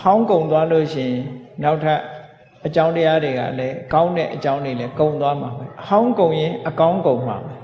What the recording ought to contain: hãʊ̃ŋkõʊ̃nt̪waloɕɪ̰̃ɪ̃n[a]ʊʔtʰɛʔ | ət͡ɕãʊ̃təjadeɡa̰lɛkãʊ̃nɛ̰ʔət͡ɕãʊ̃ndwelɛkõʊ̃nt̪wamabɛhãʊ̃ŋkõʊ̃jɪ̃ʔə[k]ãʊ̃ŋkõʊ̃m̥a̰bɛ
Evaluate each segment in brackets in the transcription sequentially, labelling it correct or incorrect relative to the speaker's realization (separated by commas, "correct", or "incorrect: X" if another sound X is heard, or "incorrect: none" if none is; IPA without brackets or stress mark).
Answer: correct, correct